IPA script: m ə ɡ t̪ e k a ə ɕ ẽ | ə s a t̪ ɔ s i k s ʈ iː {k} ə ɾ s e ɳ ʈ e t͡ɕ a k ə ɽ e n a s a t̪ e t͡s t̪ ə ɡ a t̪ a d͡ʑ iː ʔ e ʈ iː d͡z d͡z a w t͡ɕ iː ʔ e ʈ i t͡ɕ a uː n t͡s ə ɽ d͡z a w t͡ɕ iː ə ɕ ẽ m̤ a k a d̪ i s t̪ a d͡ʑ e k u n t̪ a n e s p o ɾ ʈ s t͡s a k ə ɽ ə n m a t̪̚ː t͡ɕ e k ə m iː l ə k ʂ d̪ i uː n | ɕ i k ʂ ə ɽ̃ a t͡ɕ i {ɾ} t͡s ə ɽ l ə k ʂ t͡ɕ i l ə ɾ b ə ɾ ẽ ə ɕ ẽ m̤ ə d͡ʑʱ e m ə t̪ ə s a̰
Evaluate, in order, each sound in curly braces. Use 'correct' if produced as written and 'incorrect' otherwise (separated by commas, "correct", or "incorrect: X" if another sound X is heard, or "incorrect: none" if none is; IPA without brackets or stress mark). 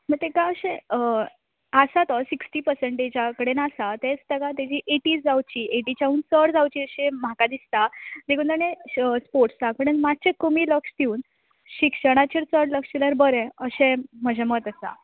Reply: incorrect: p, correct